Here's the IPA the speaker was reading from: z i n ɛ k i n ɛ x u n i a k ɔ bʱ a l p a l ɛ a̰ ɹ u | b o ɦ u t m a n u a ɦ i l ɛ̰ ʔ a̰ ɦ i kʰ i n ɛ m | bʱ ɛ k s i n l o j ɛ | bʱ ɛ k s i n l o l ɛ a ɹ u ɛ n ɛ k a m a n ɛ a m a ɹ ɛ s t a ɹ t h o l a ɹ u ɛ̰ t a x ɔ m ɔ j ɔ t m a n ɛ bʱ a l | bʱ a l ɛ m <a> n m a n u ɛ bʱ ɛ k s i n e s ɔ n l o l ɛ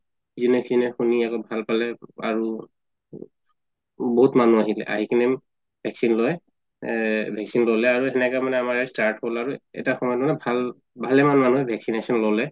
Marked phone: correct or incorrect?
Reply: correct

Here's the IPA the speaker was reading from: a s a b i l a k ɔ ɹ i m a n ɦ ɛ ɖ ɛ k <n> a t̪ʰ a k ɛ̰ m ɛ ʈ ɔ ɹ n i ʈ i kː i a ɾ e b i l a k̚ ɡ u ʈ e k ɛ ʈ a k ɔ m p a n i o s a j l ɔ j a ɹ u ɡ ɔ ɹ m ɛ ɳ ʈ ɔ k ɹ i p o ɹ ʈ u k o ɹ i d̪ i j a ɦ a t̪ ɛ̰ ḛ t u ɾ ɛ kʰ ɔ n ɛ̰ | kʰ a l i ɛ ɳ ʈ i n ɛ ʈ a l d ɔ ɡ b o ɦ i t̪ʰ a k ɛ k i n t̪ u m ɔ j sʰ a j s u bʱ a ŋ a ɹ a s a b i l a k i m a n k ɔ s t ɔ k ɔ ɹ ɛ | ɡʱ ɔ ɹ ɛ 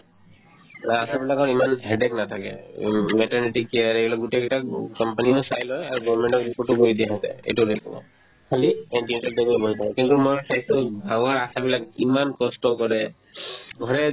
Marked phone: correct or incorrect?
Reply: correct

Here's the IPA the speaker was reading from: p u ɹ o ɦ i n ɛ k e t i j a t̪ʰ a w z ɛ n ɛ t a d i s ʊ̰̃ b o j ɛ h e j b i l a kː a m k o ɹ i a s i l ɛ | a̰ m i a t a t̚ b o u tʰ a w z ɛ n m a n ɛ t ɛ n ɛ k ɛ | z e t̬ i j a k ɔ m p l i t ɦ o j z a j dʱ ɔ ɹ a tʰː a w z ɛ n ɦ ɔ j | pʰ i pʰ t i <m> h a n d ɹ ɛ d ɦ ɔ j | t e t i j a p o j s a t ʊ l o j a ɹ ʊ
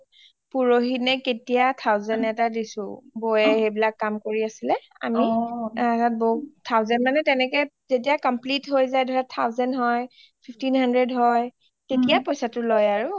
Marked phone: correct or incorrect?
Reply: incorrect: n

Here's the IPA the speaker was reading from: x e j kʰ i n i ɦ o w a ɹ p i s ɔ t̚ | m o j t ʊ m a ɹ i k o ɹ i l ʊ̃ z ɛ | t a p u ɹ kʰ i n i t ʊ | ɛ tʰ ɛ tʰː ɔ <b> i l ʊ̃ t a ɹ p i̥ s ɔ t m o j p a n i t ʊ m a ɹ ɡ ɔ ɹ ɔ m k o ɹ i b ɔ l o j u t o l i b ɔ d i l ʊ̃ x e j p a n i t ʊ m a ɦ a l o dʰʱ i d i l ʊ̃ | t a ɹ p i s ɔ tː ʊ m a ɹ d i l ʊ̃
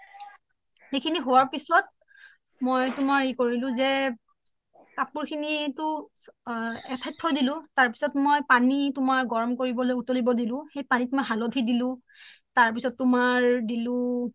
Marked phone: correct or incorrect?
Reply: incorrect: d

